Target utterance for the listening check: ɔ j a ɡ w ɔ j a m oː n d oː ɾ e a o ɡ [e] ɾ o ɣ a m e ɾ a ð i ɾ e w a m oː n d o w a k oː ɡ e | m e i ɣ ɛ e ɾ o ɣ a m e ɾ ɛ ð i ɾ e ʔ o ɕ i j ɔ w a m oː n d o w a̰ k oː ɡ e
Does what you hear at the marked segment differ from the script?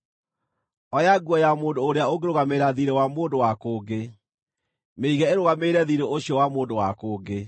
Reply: no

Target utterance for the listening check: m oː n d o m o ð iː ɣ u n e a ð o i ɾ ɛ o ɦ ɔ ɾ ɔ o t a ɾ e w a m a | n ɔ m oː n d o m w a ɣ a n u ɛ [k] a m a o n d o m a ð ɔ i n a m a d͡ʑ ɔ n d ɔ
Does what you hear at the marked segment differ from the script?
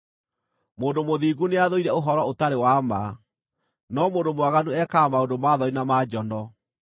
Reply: no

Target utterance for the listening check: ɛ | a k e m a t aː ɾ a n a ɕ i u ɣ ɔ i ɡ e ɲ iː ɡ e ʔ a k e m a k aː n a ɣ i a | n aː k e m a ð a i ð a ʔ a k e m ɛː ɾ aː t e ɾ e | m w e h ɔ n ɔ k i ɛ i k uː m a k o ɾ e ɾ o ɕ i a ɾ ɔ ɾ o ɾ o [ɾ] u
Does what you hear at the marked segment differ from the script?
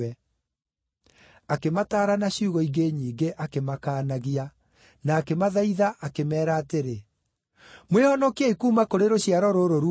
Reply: no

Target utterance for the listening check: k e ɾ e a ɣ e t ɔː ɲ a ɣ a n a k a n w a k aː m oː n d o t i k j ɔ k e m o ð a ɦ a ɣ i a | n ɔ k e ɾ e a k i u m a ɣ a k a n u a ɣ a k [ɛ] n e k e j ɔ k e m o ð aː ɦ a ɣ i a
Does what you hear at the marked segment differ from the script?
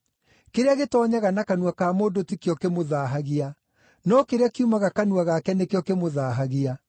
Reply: no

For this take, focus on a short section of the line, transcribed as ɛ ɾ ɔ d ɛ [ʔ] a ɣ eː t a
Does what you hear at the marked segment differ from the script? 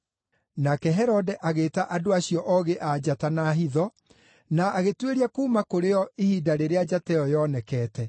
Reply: no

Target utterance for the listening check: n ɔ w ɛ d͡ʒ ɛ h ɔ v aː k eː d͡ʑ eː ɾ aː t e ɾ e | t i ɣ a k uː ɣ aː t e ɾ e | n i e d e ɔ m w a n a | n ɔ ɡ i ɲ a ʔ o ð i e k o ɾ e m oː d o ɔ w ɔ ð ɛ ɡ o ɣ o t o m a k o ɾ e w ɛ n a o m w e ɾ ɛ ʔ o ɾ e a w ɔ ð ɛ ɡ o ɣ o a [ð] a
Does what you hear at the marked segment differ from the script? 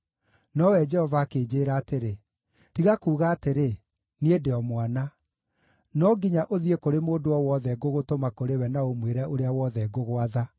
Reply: no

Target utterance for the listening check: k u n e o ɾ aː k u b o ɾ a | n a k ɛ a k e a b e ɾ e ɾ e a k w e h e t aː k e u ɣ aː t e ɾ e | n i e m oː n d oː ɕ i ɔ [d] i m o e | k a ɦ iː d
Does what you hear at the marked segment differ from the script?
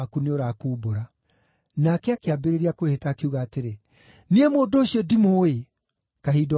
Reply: no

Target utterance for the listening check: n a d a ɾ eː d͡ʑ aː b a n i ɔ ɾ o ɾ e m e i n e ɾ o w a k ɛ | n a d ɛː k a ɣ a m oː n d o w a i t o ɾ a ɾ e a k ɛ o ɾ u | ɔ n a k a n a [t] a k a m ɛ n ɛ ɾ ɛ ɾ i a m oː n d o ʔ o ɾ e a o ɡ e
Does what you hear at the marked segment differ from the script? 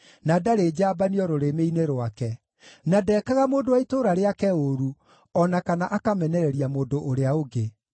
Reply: yes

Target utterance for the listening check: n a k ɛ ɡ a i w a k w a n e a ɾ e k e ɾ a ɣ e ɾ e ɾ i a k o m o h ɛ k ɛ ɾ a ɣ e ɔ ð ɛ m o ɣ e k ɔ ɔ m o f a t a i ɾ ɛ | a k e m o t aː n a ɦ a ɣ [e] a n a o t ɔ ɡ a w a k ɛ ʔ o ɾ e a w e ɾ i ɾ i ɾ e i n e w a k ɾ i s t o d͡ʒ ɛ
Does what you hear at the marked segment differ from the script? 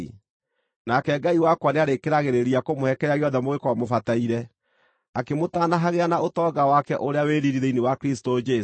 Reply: no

